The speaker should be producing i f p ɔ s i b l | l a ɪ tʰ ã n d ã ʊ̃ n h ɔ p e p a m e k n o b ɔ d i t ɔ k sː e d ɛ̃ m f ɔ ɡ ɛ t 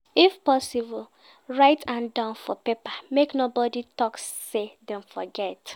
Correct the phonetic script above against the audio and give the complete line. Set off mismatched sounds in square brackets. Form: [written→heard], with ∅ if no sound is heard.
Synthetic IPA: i f p ɔ s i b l | [l→ɹ] a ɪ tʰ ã n d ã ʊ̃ n [h→f] ɔ p e p a m e k n o b ɔ d i t ɔ k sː e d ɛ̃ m f ɔ ɡ ɛ t